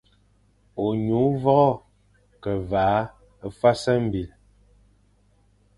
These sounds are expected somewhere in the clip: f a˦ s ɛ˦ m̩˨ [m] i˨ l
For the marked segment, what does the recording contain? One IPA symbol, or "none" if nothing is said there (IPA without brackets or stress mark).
b